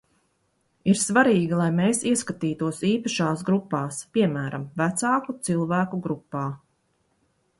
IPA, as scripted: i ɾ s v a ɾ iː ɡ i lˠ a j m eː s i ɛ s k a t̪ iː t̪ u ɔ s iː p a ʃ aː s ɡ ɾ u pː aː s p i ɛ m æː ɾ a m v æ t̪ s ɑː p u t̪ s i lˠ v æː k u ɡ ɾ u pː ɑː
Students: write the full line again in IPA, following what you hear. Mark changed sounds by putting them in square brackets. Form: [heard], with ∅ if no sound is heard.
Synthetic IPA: i ɾ s v a ɾ iː ɡ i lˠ a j m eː s i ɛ s k a t̪ iː t̪ u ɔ s iː p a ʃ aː s ɡ ɾ u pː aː s p i ɛ m æː ɾ a m v æ t̪ s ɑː [k] u t̪ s i lˠ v æː k u ɡ ɾ u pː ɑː

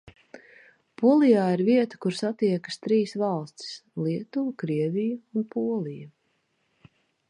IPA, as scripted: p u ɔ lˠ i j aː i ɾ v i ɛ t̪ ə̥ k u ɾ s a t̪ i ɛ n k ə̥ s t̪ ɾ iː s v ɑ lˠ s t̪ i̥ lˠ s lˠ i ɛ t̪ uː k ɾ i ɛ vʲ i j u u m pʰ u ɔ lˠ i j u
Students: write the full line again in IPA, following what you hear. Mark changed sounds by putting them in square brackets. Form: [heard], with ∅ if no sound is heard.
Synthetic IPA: p u ɔ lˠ i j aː i ɾ v i ɛ t̪ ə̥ k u ɾ s a t̪ i ɛ [∅] k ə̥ s t̪ ɾ iː s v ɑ lˠ s t̪ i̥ [∅] s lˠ i ɛ t̪ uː k ɾ i ɛ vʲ i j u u [n] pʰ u ɔ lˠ i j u

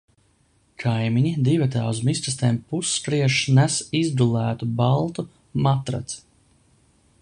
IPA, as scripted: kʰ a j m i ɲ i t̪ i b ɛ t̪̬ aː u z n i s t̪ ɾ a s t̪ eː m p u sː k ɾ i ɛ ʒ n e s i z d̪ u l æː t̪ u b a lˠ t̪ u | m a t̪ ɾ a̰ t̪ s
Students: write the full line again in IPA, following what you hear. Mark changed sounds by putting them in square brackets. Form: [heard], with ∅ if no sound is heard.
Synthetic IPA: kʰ a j m i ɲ i [d̪] i [v] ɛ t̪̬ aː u z [m] i s t̪ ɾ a s t̪ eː m p u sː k ɾ i ɛ [ʃ] n [æ] s i z d̪ u l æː t̪ u b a lˠ t̪ u | m a t̪ ɾ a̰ t̪ s

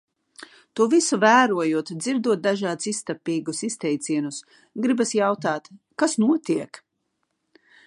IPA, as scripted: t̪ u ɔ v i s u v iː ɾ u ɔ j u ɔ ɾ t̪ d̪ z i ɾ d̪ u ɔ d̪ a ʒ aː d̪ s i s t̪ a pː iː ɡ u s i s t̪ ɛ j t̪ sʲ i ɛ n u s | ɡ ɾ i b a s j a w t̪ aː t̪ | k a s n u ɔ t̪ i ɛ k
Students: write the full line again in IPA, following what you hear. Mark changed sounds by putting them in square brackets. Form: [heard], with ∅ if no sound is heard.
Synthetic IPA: t̪ u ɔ v i s u v [æː] ɾ u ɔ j u ɔ [∅] t̪ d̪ z i ɾ d̪ u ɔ d̪ a ʒ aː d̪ s i s t̪ a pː iː ɡ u s i s t̪ ɛ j t̪ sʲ i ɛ n u s | ɡ ɾ i b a s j a w t̪ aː t̪ | k a s n u ɔ t̪ i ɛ k

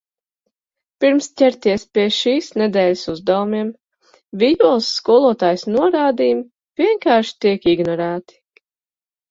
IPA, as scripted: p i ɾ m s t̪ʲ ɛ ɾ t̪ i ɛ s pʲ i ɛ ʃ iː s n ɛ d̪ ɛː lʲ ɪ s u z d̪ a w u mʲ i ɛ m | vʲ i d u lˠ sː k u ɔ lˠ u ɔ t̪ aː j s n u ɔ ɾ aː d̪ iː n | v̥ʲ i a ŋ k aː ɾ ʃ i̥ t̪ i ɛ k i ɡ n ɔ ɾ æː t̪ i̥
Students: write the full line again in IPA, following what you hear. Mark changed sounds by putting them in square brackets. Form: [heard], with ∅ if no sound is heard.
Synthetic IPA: p i ɾ m s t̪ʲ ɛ ɾ t̪ i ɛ s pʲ i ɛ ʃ iː s n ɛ d̪ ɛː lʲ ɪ s u z d̪ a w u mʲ i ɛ m | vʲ i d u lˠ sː k u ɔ lˠ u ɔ t̪ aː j s n u ɔ ɾ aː d̪ iː [m] | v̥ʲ i [ɛ] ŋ k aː ɾ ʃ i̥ t̪ i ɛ k i ɡ n ɔ ɾ æː t̪ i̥

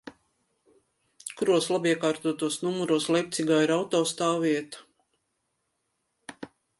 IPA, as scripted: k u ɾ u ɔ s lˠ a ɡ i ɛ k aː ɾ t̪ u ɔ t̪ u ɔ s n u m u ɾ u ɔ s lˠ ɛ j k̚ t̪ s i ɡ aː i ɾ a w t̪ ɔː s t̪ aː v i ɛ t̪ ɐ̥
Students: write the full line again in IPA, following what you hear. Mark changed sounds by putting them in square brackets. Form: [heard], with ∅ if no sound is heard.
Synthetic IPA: k u ɾ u ɔ s lˠ a [b] i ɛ k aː ɾ t̪ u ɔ t̪ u ɔ s n u m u ɾ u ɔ s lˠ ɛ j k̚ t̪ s i ɡ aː i ɾ a w t̪ ɔː s t̪ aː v i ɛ t̪ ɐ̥

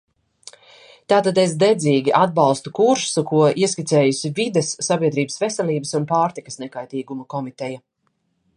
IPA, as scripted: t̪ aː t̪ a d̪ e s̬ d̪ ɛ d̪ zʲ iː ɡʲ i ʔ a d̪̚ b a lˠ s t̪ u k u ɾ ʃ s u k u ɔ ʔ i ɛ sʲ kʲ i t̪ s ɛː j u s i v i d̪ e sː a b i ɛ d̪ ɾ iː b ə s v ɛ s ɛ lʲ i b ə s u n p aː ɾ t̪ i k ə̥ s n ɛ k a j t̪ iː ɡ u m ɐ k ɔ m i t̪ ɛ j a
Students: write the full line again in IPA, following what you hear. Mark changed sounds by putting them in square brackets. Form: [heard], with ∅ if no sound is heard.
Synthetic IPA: t̪ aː t̪ a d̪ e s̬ d̪ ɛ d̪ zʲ iː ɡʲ i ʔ a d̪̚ b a lˠ s t̪ u k u ɾ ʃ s u k u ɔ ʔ i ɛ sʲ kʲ i t̪ s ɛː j u s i v i d̪ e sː a b i ɛ d̪ ɾ iː b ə s v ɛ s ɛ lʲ [iː] b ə s u n p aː ɾ t̪ i k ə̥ s n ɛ k a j t̪ iː ɡ u m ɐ k ɔ m i t̪ ɛ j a

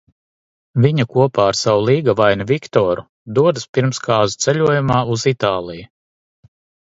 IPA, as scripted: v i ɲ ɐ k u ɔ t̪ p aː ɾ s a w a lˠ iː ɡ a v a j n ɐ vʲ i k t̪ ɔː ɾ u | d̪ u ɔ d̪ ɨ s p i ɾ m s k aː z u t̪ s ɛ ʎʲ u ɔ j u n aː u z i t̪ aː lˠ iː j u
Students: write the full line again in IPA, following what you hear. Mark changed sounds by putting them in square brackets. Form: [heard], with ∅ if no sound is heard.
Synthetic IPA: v i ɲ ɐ k u ɔ [∅] p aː ɾ s a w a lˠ iː ɡ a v a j n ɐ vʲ i k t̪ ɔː ɾ u | d̪ u ɔ d̪ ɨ s p i ɾ m s k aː z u t̪ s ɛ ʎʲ u ɔ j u [m] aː u z i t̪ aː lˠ [i] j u

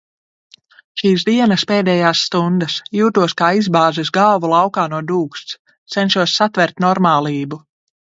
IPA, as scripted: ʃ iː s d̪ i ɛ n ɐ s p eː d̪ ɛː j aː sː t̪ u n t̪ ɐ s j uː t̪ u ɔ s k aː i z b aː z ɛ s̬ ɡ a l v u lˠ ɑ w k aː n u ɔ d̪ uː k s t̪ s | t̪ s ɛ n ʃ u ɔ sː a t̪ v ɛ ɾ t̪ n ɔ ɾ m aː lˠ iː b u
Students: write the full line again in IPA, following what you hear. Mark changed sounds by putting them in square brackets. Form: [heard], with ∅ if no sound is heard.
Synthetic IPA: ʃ iː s d̪ i ɛ n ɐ s p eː d̪ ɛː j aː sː t̪ u n [d̪] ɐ s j uː t̪ u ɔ s k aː i z b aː z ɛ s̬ ɡ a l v u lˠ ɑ w k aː n u ɔ d̪ uː k s t̪ s | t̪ s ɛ n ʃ u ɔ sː a t̪ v ɛ ɾ t̪ n ɔ ɾ m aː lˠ iː b u

